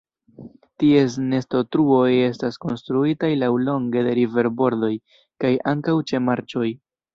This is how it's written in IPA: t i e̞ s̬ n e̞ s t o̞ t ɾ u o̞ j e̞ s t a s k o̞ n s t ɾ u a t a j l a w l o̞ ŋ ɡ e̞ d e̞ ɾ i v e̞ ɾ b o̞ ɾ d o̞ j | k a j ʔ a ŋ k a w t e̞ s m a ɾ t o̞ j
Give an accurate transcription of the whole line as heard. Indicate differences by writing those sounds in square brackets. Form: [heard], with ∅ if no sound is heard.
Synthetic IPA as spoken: t i e̞ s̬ n e̞ s t o̞ t ɾ u o̞ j e̞ s t a s k o̞ n s t ɾ u [i] t a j l a w l o̞ ŋ ɡ e̞ d e̞ ɾ i v e̞ ɾ b o̞ ɾ d o̞ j | k a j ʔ a ŋ k a w [t͡ʃ] e̞ [∅] m a ɾ [t͡ʃ] o̞ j